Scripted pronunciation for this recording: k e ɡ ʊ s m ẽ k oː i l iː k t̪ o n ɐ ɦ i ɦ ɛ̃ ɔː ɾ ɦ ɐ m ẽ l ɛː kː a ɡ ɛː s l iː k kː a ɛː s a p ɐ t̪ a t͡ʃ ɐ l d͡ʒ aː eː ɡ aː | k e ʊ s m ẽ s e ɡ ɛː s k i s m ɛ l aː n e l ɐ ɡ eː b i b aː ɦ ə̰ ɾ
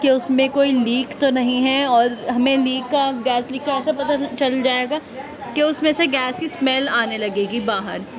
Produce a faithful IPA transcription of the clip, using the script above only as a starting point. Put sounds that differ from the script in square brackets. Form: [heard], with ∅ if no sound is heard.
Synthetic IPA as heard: k e [∅] ʊ s m ẽ k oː i l iː k t̪ o n ɐ ɦ [ĩ] ɦ [ɛ] ɔː ɾ ɦ ɐ m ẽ l [iː] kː a ɡ ɛː s l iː k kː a ɛː s a p ɐ t̪ a t͡ʃ ɐ l d͡ʒ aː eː ɡ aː | k e ʊ s m ẽ s e ɡ ɛː s k i s m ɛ l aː n e l ɐ ɡ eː [ɡ] i b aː ɦ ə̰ ɾ